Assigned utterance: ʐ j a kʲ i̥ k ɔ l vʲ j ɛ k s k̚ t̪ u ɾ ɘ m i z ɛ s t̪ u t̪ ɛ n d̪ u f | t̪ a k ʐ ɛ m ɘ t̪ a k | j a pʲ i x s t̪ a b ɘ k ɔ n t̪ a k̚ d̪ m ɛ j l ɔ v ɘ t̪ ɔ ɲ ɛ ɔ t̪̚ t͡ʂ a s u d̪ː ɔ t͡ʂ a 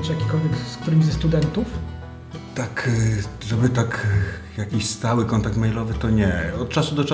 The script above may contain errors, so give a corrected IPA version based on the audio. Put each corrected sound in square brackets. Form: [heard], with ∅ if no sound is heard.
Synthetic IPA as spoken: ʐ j a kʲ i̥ k ɔ l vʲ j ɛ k s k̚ t̪ u ɾ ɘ m i z ɛ s t̪ u [d̪] ɛ n [t̪] u f | t̪ a k ʐ ɛ [b] ɘ t̪ a k | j a [kʲ] i [ɕ] s t̪ a [w] ɘ k ɔ n t̪ a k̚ [t̪] m ɛ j l ɔ v ɘ t̪ ɔ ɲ ɛ ɔ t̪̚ t͡ʂ a s u [d̪] ɔ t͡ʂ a